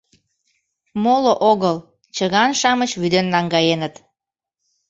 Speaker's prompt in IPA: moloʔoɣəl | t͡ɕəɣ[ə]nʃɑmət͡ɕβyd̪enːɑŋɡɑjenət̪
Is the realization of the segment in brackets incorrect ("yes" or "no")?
yes